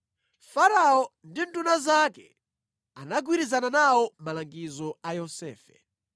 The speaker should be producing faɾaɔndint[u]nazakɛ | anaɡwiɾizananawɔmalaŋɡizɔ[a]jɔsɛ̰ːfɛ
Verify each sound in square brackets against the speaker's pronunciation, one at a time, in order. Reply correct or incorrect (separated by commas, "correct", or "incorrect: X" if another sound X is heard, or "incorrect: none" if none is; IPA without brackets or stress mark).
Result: correct, correct